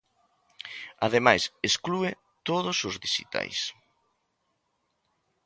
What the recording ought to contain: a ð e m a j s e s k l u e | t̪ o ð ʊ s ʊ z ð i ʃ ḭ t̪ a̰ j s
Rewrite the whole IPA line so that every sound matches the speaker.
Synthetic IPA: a ð e m a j s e s k l u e | t̪ o ð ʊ s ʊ z ð i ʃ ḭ t̪ a̰ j s

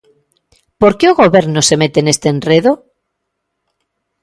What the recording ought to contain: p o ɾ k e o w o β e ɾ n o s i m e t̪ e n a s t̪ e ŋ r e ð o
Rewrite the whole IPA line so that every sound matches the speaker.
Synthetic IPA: p o ɾ k e o ɣ o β e ɾ n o s e m e t̪ e n e s t̪ e n r e ð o

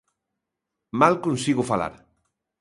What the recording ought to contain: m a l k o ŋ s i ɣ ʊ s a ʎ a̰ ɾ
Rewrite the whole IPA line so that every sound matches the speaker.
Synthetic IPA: m a l k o n s i ɣ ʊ f a l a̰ ɾ

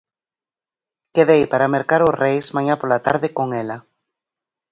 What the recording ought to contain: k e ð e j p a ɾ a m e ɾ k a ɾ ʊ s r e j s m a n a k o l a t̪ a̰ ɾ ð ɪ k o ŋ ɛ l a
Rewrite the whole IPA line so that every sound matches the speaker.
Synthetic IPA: k e ð e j p a ɾ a m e ɾ k a ɾ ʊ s r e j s m a ɲ a p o l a t̪ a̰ ɾ ð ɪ k o ŋ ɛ l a

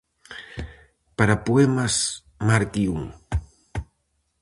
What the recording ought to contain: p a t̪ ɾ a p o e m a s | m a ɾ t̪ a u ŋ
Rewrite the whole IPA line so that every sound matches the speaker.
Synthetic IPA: p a ɾ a p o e m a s | m a ɾ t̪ i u ŋ

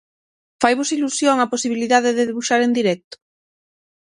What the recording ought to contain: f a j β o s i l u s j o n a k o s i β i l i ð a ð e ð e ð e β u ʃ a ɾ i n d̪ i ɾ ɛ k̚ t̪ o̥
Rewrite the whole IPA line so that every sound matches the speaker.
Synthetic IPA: f a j β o s i l u s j o ŋ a p o s i β i l i ð a ð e ð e ð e β u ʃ a ɾ e n d̪ i ɾ ɛ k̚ t̪ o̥

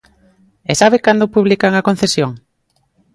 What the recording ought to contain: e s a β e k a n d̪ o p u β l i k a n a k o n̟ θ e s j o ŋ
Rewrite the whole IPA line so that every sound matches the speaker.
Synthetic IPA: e s a β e k a n d̪ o p u β l i k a ŋ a k o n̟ θ e s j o ŋ

